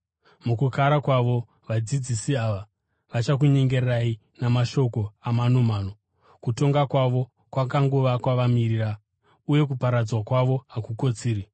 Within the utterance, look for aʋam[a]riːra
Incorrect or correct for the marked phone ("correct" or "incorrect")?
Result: incorrect